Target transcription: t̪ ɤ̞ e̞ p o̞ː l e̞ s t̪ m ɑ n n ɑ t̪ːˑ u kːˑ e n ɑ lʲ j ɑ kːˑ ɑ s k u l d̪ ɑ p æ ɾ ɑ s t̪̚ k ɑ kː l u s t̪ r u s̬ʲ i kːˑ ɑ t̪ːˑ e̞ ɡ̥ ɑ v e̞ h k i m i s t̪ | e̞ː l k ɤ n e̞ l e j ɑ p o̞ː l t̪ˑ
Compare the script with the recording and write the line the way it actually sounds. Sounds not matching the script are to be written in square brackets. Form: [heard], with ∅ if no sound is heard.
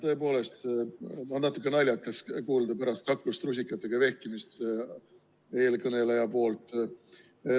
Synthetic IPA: t̪ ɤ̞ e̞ p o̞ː l e̞ s t̪ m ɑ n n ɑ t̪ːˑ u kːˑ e n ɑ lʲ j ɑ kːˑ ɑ s k [uː] l d̪ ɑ p æ ɾ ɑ s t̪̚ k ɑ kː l u s t̪ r u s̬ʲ i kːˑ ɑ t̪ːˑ e̞ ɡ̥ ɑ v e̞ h k i m i s t̪ | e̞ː l k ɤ n e̞ l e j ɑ p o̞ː l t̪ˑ